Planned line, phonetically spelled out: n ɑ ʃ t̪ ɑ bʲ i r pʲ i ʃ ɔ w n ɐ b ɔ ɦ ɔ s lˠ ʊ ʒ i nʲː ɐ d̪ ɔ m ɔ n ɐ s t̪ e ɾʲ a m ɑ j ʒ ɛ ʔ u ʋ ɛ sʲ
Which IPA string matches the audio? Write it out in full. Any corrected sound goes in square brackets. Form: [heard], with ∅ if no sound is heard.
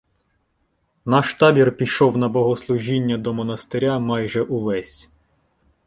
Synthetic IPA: n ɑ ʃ t̪ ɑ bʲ i r pʲ i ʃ ɔ w n ɐ b ɔ ɦ ɔ s lˠ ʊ ʒ i nʲː ɐ d̪ ɔ m ɔ n ɐ s t̪ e ɾʲ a m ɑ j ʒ ɛ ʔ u ʋ ɛ sʲ